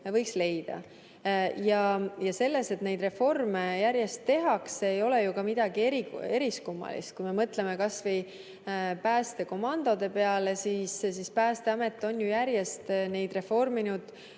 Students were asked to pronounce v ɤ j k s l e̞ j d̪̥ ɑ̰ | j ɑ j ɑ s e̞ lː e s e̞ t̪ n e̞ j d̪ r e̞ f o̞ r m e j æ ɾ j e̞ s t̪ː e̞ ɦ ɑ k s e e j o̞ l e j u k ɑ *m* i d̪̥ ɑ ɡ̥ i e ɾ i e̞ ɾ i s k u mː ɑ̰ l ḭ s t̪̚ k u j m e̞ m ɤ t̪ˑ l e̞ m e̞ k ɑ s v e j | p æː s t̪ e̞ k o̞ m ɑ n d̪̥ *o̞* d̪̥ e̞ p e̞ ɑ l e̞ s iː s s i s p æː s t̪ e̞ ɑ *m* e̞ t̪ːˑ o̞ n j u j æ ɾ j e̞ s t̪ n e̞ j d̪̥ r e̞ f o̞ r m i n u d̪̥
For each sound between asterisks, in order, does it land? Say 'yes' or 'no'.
yes, yes, yes

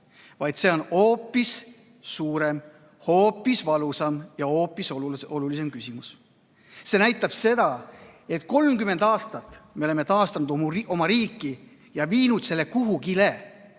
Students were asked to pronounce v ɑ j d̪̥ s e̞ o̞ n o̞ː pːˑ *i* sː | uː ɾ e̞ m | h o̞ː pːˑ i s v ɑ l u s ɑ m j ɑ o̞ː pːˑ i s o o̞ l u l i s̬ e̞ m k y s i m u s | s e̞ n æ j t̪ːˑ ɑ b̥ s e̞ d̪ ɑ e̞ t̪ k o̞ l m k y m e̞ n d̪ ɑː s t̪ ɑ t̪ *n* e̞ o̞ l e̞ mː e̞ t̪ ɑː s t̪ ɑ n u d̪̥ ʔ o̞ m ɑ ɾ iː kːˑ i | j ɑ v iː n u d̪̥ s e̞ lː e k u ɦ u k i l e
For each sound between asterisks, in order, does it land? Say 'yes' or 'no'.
yes, no

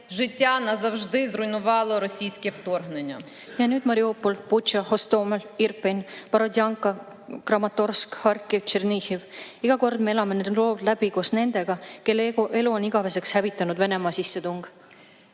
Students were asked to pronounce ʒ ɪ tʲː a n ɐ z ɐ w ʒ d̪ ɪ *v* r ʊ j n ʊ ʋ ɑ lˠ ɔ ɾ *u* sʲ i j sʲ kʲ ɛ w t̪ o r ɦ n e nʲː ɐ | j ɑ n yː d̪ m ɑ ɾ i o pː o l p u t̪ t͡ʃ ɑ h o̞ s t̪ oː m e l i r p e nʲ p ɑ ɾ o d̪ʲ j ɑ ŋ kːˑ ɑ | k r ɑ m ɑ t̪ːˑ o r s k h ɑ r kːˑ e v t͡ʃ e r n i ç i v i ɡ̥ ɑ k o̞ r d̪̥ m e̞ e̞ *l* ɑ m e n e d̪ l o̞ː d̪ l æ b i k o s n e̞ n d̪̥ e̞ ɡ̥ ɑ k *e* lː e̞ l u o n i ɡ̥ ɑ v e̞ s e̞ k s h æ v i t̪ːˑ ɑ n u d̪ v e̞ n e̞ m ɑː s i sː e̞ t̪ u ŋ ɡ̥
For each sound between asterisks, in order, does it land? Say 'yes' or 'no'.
no, no, yes, yes

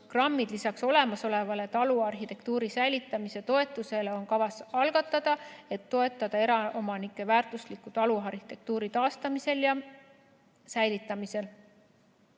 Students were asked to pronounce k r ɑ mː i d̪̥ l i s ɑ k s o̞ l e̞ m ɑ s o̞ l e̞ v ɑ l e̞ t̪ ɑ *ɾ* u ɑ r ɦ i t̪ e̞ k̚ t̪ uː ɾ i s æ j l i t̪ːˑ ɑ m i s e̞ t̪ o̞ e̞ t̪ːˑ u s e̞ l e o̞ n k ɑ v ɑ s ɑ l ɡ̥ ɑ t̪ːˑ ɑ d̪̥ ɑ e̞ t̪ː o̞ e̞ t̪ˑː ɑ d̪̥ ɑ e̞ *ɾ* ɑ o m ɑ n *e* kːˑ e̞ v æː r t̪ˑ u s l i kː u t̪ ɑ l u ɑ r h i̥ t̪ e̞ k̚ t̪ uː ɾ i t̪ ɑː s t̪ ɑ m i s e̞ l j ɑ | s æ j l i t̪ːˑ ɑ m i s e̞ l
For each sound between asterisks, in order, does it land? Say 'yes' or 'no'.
no, yes, no

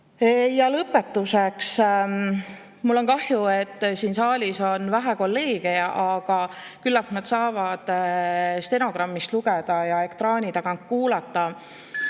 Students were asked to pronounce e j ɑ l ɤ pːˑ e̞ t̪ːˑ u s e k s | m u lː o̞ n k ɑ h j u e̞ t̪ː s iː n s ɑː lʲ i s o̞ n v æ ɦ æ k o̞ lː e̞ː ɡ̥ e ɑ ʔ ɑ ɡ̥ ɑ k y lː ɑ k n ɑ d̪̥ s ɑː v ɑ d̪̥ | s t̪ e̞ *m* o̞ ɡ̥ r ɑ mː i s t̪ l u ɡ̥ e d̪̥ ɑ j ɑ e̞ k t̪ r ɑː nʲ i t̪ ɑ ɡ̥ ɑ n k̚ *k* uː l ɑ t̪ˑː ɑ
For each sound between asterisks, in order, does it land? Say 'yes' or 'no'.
no, yes

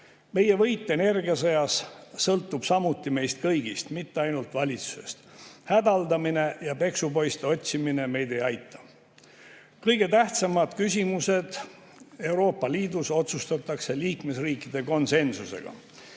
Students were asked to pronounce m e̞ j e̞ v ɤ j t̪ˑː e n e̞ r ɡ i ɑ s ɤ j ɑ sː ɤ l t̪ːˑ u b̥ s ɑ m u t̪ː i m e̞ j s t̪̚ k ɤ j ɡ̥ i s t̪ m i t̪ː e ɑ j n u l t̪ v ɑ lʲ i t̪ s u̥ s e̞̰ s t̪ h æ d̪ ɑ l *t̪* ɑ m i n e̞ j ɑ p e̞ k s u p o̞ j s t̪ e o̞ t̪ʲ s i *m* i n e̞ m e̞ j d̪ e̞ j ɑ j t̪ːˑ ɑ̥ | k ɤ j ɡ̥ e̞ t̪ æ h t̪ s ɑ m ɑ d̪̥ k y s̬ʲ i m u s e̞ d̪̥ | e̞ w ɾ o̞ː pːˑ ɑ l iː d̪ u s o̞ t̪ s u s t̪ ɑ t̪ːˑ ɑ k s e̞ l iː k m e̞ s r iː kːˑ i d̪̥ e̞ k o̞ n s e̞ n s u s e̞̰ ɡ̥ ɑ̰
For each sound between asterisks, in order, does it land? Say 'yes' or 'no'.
no, yes

